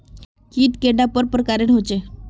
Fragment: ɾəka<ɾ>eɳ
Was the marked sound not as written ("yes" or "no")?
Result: no